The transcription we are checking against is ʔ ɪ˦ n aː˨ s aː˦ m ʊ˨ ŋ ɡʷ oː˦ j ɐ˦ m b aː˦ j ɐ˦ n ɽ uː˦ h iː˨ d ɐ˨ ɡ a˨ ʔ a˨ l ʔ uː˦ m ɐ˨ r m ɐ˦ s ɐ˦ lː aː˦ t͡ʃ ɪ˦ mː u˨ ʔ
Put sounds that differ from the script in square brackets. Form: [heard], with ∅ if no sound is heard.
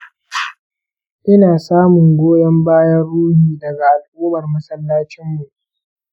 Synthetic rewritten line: ʔ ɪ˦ n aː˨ s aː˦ m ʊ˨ ŋ ɡʷ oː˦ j ɐ˦ m b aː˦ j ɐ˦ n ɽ uː˦ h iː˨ d ɐ˨ ɡ a˨ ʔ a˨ l ʔ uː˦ m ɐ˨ r m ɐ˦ s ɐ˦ lː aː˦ t͡ʃ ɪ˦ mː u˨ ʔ